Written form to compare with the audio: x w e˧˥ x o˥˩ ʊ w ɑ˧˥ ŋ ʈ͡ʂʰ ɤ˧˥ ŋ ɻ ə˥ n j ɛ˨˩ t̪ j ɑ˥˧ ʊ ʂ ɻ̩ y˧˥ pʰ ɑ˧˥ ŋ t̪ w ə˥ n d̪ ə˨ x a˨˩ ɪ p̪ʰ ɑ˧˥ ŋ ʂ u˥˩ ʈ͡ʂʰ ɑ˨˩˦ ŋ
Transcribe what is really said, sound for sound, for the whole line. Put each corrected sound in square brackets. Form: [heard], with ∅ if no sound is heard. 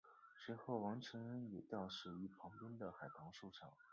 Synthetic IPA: [ʂ] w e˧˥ x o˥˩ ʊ w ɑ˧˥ ŋ ʈ͡ʂʰ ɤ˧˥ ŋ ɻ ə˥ n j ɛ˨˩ t̪ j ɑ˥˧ ʊ ʂ ɻ̩ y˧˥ pʰ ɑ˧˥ ŋ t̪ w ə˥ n d̪ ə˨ x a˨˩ ɪ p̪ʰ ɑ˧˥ ŋ ʂ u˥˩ ʈ͡ʂʰ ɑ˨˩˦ ŋ

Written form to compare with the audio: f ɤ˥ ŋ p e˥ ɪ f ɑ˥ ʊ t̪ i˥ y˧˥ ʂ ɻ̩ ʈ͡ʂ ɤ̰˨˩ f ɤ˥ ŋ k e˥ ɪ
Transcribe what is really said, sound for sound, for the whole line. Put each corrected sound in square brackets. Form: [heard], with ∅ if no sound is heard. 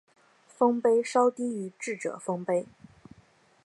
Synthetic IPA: f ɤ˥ ŋ p e˥ ɪ [ʂ] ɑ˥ ʊ t̪ i˥ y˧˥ [ʈ͡ʂ] ɻ̩ ʈ͡ʂ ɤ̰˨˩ f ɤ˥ ŋ [p] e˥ ɪ

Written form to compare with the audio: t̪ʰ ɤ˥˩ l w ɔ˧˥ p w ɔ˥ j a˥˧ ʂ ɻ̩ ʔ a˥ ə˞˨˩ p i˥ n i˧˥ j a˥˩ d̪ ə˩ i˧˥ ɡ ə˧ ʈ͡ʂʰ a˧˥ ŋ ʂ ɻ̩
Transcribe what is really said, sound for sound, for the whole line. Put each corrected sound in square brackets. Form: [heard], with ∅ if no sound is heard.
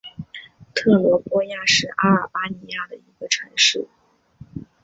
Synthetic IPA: t̪ʰ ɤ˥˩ l w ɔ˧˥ p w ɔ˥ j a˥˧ ʂ ɻ̩ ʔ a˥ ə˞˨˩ p [a˥] n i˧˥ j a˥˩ d̪ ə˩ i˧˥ ɡ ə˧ ʈ͡ʂʰ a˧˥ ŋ ʂ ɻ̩

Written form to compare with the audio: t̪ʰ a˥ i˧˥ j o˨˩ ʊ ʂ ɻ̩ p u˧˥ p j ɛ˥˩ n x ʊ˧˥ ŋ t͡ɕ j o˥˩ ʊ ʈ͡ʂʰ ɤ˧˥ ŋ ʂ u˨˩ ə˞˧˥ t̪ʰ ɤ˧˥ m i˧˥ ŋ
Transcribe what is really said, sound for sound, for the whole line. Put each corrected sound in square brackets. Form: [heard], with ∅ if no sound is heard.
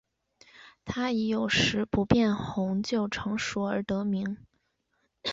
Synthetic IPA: t̪ʰ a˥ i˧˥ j o˨˩ ʊ ʂ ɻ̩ p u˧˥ p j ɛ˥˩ n x ʊ˧˥ ŋ t͡ɕ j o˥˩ ʊ ʈ͡ʂʰ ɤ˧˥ ŋ ʂ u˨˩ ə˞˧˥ [t̪] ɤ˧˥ m i˧˥ ŋ

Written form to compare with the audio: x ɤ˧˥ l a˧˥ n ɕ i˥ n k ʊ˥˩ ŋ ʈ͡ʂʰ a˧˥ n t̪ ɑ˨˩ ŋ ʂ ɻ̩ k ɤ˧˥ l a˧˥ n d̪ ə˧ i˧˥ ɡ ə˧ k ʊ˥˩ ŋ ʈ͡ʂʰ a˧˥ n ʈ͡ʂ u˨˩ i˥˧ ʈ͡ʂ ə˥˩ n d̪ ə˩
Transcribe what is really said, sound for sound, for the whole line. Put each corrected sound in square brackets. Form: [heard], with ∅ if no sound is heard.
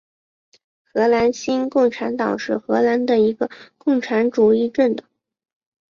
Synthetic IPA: x ɤ˧˥ l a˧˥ n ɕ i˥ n k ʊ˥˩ ŋ ʈ͡ʂʰ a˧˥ n t̪ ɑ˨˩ ŋ ʂ ɻ̩ [x] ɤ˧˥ l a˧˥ n d̪ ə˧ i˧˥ ɡ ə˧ k ʊ˥˩ ŋ ʈ͡ʂʰ a˧˥ n ʈ͡ʂ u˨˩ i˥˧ ʈ͡ʂ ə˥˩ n d̪ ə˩

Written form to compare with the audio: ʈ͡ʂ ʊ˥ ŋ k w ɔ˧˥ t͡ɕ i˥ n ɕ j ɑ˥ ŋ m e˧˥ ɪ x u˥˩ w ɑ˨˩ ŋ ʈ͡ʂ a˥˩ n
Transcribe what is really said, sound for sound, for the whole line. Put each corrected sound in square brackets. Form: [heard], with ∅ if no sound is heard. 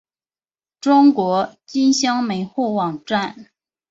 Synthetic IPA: ʈ͡ʂ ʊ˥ ŋ k w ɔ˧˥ t͡ɕ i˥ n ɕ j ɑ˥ ŋ m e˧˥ ɪ x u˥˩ w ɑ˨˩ ŋ ʈ͡ʂ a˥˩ n

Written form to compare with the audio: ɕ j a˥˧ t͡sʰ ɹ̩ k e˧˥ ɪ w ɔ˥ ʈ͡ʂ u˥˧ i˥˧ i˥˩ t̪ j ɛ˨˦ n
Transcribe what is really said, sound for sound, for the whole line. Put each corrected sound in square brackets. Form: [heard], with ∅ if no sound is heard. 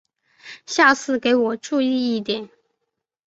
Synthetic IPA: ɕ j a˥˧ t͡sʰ ɹ̩ k e˧˥ ɪ w [ɔ˨˩] ʈ͡ʂ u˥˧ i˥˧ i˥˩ t̪ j ɛ˨˦ n

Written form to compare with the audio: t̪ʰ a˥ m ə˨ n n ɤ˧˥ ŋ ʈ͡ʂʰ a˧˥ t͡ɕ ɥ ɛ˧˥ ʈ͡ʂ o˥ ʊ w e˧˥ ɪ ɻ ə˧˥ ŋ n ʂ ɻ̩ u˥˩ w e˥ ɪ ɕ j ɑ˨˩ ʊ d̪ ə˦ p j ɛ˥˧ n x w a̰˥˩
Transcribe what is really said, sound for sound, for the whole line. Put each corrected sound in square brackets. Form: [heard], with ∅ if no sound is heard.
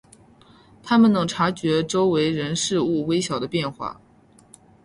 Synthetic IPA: t̪ʰ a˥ m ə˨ n n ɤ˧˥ ŋ ʈ͡ʂʰ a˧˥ t͡ɕ ɥ ɛ˧˥ ʈ͡ʂ o˥ ʊ w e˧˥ ɪ ɻ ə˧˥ [∅] n ʂ ɻ̩ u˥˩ w e˥ ɪ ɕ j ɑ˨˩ ʊ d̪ ə˦ p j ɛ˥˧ n x w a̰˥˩

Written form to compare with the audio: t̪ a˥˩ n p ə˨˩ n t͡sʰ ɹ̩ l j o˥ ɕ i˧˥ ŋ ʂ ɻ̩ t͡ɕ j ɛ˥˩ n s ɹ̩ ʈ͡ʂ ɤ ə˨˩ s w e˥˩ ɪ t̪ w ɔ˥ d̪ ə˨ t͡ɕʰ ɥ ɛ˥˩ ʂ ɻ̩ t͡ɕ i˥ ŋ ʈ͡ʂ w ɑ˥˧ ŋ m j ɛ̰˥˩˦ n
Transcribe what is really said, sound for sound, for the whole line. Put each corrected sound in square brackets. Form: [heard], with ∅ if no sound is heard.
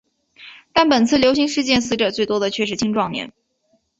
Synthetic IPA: t̪ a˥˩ n p ə˨˩ n t͡sʰ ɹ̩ l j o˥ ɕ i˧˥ ŋ ʂ ɻ̩ t͡ɕ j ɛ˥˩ n s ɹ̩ ʈ͡ʂ ɤ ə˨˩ [t͡s] w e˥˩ ɪ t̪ w ɔ˥ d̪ ə˨ t͡ɕʰ ɥ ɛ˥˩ ʂ ɻ̩ [t͡ɕʰ] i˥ ŋ ʈ͡ʂ w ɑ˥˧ ŋ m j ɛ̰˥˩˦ n

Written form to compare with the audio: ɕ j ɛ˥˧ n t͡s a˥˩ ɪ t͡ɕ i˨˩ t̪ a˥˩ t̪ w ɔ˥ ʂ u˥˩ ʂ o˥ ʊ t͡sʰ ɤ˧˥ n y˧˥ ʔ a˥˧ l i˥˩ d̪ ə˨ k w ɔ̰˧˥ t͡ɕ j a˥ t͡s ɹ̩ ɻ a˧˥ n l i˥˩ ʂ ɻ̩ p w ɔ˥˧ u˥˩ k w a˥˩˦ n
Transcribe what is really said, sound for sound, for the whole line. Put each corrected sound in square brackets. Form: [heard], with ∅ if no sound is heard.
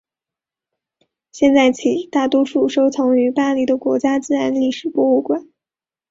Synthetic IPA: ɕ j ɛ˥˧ n t͡s a˥˩ ɪ [t͡ɕʰ] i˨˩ t̪ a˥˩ t̪ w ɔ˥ ʂ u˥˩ ʂ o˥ ʊ t͡sʰ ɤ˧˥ [ŋ] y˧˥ [p] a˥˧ l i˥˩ d̪ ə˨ k w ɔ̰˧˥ t͡ɕ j a˥ t͡s ɹ̩ ɻ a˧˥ n l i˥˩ ʂ ɻ̩ p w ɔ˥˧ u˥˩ k w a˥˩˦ n

